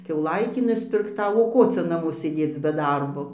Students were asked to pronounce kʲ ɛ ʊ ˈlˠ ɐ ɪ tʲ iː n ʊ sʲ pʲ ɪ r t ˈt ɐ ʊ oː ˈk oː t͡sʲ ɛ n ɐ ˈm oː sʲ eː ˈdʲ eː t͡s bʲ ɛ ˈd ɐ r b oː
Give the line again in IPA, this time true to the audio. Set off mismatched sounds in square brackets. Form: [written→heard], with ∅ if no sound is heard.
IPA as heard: kʲ ɛ ʊ ˈlˠ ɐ ɪ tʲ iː n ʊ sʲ pʲ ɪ r [t→k] ˈt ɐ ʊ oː ˈk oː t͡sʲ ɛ n ɐ ˈm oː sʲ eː ˈdʲ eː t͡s bʲ ɛ ˈd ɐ r b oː